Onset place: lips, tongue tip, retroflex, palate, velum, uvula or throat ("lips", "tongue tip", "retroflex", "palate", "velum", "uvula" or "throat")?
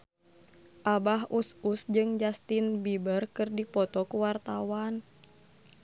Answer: throat